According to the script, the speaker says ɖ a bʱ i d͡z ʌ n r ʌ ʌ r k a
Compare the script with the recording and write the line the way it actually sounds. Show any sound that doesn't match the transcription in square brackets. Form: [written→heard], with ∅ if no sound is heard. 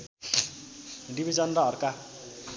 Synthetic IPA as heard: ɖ [a→i] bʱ i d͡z ʌ n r ʌ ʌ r k a